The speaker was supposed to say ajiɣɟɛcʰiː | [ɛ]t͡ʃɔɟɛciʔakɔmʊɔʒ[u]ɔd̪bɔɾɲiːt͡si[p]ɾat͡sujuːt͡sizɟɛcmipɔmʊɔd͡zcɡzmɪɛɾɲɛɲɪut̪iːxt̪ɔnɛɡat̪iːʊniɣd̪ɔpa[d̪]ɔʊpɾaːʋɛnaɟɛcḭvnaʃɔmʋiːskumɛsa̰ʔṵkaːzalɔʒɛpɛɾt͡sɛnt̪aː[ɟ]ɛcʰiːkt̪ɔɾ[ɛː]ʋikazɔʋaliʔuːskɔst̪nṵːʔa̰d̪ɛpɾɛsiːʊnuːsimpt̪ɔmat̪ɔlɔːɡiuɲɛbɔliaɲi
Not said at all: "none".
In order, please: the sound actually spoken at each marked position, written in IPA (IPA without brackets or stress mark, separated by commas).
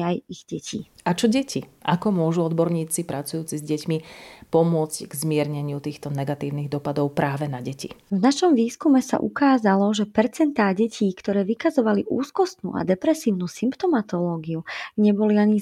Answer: a, u, p, d̪, ɟ, ɛː